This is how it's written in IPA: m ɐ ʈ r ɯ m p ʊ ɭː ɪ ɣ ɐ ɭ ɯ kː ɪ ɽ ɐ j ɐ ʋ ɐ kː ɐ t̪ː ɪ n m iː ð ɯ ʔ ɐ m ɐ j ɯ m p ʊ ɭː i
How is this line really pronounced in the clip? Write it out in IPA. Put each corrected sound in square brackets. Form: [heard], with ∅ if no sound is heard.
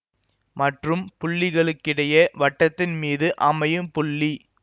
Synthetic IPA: m ɐ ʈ r ɯ m p ʊ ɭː ɪ ɣ ɐ ɭ ɯ kː ɪ ɽ ɐ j ɐ ʋ ɐ [ʈː] ɐ t̪ː ɪ n m iː ð ɯ ʔ ɐ m ɐ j ɯ m p ʊ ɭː i